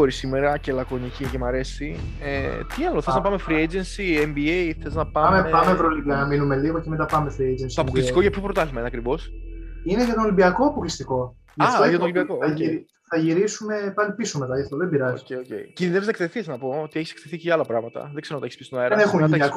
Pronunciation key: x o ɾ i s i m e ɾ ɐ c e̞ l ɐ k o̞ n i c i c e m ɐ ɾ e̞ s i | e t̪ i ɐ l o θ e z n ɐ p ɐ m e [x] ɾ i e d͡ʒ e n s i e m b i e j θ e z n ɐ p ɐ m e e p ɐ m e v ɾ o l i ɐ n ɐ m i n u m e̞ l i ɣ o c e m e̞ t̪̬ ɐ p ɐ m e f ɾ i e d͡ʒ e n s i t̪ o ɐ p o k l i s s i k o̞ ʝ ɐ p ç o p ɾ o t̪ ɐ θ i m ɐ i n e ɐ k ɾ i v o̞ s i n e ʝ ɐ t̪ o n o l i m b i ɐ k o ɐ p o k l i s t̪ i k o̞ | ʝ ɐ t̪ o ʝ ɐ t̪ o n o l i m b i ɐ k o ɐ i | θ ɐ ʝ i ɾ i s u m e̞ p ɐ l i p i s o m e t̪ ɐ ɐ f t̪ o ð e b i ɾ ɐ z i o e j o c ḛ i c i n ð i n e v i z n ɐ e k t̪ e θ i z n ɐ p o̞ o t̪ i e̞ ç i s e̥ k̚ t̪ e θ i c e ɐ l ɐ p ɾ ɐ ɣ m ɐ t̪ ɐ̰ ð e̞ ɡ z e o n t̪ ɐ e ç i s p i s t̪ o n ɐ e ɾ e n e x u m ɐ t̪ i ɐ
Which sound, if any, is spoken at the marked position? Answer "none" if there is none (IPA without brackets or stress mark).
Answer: f